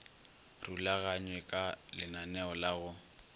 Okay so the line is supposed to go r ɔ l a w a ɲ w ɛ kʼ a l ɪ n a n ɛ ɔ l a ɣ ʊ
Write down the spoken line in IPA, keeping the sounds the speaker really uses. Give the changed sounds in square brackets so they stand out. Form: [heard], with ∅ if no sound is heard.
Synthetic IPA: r [u] l a [ɣ] a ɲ w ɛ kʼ a l ɪ n a n ɛ ɔ l a ɣ ʊ